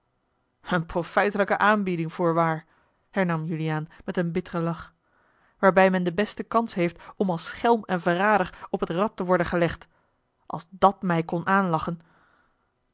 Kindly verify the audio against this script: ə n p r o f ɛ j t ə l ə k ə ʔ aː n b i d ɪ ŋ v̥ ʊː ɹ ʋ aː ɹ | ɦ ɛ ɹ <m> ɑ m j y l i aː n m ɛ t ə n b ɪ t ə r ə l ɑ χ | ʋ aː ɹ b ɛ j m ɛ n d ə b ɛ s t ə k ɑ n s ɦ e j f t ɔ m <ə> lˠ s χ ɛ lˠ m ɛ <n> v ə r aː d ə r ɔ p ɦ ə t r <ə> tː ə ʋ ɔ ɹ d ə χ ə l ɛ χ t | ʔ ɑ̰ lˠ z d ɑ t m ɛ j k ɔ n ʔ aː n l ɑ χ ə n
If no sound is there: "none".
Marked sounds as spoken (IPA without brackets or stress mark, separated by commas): n, ɑ, n, ɑ